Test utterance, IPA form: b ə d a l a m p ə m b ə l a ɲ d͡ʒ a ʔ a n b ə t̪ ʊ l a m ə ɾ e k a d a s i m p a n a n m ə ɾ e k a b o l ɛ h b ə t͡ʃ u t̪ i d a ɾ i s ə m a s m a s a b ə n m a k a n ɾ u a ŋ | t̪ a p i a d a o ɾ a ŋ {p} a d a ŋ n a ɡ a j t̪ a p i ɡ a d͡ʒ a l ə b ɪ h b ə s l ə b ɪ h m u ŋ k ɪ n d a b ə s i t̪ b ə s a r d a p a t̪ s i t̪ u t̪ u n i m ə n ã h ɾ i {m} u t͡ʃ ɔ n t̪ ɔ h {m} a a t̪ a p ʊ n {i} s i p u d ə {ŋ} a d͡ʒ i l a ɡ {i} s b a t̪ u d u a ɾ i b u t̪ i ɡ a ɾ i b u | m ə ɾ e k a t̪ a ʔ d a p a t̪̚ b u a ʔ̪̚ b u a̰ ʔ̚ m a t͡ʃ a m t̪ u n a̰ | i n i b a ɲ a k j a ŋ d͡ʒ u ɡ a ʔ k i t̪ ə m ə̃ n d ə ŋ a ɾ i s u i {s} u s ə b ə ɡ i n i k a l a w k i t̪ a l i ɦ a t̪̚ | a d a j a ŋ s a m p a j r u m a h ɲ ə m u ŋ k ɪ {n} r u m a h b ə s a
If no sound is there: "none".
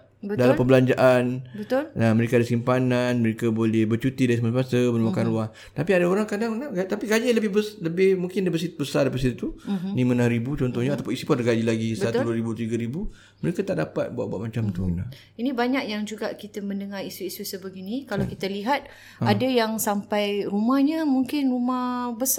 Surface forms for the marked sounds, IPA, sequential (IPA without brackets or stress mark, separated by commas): k, b, ɲ, i, ɡ, i, s, n